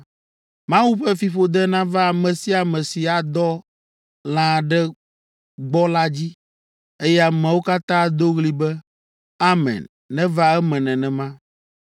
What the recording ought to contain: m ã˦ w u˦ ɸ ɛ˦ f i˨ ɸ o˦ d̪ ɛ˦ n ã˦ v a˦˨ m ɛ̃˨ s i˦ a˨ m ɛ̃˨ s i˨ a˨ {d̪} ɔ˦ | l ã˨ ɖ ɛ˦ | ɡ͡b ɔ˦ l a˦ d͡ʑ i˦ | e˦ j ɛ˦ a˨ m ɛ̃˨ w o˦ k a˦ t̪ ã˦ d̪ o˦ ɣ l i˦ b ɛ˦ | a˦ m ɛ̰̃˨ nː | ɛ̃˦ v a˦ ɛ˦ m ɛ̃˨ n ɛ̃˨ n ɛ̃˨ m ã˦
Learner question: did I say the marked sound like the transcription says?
yes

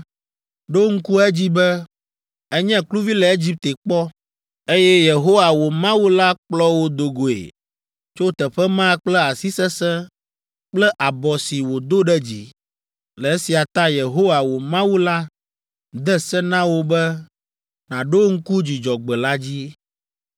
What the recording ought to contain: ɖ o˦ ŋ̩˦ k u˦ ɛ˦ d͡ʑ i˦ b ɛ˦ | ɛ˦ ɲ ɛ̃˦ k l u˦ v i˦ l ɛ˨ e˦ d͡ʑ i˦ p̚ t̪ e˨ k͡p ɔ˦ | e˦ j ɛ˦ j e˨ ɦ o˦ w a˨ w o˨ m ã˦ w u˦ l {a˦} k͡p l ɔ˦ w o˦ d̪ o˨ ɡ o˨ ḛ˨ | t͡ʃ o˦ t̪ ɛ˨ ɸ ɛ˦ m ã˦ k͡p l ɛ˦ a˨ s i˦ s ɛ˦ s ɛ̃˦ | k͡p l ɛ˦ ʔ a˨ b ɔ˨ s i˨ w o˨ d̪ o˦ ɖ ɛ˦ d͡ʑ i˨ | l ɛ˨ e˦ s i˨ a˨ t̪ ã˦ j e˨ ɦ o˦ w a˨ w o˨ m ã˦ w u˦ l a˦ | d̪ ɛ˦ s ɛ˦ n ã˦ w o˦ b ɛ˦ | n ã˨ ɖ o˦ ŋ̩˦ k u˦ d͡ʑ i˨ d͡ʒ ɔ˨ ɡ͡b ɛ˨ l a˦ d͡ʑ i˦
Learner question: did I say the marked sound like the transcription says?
yes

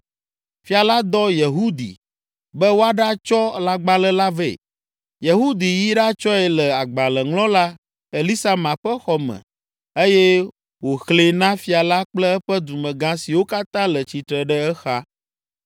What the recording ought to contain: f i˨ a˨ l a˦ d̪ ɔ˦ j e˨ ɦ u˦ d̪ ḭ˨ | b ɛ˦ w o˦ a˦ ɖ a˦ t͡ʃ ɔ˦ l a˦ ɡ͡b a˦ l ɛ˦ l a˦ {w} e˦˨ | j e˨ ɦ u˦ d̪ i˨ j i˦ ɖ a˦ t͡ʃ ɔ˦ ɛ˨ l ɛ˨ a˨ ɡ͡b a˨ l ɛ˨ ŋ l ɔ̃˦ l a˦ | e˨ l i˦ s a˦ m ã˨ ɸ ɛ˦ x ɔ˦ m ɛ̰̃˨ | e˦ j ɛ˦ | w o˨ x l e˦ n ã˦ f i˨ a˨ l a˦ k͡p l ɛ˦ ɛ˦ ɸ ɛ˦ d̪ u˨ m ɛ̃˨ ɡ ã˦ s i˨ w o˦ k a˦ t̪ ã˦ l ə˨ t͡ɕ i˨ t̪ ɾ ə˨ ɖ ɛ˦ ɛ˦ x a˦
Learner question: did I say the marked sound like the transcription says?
no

